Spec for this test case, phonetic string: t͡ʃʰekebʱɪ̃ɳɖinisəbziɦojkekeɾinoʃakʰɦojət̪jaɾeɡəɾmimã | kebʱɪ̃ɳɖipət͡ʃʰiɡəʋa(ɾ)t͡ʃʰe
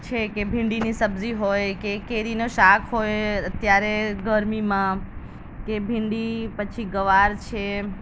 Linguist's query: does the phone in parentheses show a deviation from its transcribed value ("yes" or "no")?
no